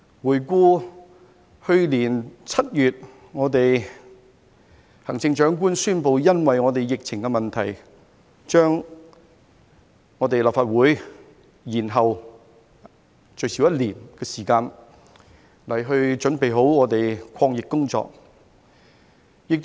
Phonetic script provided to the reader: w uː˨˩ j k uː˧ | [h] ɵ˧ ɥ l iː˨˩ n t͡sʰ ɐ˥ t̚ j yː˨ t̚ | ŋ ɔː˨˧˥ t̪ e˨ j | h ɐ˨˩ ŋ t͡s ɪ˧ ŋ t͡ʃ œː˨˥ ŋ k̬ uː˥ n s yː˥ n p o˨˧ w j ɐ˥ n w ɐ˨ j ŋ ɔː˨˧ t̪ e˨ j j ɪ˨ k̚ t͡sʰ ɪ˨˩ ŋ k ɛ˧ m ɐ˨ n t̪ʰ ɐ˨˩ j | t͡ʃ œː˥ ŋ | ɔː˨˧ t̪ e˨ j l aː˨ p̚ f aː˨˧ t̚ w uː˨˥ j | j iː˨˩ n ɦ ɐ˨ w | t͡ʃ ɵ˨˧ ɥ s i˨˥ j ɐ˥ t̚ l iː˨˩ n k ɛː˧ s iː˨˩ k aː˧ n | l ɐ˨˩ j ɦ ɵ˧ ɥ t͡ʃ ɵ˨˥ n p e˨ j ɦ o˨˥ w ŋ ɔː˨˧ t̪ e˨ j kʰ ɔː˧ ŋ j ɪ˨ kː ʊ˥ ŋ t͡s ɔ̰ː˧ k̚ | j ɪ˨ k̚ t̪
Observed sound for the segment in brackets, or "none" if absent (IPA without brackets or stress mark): h